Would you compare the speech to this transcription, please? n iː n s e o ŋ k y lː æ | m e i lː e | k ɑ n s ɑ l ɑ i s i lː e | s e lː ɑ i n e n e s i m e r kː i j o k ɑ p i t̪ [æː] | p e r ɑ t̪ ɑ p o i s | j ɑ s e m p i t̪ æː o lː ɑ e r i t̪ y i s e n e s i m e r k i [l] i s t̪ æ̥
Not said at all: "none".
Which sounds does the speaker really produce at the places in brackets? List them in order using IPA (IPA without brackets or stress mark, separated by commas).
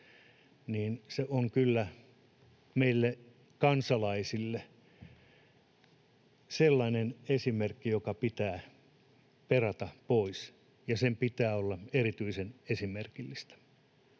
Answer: æː, lː